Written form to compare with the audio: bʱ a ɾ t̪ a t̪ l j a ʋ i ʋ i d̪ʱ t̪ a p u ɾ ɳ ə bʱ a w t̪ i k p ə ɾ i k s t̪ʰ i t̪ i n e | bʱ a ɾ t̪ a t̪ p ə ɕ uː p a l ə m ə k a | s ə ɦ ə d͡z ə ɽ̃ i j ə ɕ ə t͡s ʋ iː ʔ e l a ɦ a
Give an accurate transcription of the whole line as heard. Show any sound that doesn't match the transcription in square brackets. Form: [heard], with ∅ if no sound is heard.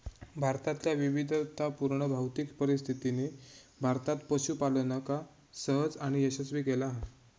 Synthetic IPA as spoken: bʱ a ɾ t̪ a t̪ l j a ʋ i ʋ i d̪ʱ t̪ a p u ɾ ɳ ə bʱ a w t̪ i k p ə ɾ i [∅] s t̪ʰ i t̪ i n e | bʱ a ɾ t̪ a t̪ p ə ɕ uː p a l ə [n] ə k a | s ə ɦ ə d͡z [a] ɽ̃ i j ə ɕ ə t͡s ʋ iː [k] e l a ɦ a